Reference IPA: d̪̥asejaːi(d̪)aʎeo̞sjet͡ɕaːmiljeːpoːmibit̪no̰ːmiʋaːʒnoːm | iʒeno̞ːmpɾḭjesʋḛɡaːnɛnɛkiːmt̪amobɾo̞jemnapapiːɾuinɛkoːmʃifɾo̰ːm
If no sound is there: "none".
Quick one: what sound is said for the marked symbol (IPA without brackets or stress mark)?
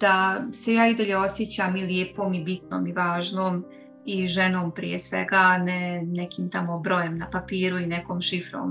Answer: d̪